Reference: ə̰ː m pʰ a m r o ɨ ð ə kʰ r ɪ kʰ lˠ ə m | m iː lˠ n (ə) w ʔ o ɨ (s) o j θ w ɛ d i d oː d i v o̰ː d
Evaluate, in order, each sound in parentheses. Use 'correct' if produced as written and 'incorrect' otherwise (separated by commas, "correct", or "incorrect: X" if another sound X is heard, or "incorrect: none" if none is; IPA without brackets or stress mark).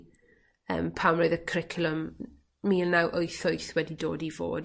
incorrect: a, incorrect: θ